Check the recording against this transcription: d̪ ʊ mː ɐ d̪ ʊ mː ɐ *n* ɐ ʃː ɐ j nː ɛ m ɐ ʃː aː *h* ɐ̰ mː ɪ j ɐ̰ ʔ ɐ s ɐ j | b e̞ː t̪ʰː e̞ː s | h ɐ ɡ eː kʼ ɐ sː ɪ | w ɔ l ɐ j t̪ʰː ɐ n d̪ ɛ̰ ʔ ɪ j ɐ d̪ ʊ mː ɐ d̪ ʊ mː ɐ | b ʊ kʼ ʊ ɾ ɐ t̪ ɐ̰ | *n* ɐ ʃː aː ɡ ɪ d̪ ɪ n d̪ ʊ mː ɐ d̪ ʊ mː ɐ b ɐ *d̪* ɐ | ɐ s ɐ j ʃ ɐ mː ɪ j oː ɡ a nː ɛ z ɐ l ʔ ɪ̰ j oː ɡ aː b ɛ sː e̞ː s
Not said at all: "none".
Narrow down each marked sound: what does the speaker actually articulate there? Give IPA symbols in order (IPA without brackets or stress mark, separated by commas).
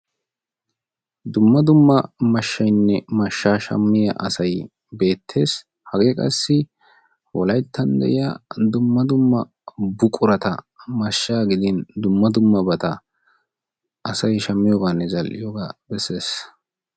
m, ʃ, m, t̪